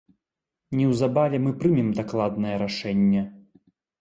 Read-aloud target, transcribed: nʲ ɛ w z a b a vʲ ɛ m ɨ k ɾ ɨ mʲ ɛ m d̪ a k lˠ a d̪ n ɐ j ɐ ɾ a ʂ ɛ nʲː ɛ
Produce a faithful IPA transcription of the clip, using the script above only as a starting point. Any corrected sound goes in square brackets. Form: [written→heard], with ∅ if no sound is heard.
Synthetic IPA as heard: nʲ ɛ w z a b a vʲ ɛ m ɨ [k→p] ɾ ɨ mʲ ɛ m d̪ a k lˠ a d̪ n ɐ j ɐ ɾ a ʂ ɛ nʲː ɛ